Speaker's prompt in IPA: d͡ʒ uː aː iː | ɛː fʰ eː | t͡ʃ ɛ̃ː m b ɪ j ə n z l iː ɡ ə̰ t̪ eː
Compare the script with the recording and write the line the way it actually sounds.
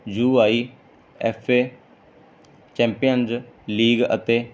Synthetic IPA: d͡ʒ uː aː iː | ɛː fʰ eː | t͡ʃ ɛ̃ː m p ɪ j ə n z l iː ɡ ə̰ t̪ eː